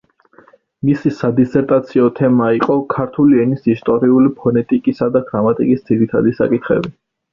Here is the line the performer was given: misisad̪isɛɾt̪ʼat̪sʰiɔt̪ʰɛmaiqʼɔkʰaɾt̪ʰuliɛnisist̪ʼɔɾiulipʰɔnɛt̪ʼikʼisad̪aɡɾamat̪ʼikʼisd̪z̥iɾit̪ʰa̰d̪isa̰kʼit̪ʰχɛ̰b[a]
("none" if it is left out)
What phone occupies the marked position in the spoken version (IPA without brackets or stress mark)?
i